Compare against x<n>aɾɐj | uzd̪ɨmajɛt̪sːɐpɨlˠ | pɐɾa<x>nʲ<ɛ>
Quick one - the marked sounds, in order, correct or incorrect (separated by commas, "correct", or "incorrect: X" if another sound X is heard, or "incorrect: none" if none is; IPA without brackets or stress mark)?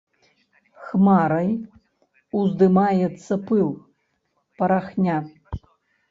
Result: incorrect: m, correct, incorrect: a